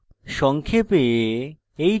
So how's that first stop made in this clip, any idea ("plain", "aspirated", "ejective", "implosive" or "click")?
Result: aspirated